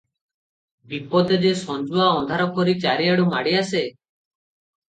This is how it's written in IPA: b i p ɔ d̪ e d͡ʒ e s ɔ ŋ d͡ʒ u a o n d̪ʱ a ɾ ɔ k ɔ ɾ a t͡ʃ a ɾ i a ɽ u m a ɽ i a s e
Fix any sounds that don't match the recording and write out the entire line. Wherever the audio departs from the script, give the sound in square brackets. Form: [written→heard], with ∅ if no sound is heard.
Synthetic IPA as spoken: b i p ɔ d̪ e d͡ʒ e s ɔ [ŋ→n] d͡ʒ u a [o→ɔ] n d̪ʱ a ɾ ɔ k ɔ ɾ [a→i] t͡ʃ a ɾ i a ɽ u m a ɽ i a s e